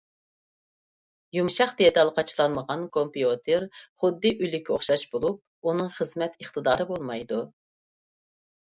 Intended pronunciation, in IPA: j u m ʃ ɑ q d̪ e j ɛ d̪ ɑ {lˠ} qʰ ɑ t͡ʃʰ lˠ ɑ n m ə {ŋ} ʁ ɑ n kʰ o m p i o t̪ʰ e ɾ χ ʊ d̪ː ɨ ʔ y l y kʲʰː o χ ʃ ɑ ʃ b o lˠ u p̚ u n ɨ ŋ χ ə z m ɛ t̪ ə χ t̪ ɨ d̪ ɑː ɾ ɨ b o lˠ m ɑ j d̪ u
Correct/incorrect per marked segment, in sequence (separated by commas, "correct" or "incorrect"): correct, incorrect